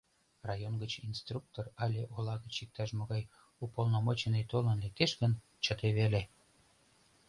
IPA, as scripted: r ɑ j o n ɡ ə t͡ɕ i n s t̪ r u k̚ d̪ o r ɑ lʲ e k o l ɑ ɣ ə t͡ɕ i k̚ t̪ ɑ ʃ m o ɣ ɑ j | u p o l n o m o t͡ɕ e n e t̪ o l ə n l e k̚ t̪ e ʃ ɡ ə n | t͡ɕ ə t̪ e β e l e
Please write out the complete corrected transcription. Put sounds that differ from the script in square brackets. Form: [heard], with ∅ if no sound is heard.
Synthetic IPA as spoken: r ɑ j o n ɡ ə t͡ɕ i n s t̪ r u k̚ [t̪] o r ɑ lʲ e [ʔ] o l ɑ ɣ ə t͡ɕ i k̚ t̪ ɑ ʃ m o ɣ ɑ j | u p o l n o m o t͡ɕ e n e t̪ o l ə n l e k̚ t̪ e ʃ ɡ ə n | t͡ɕ ə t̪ e β e l e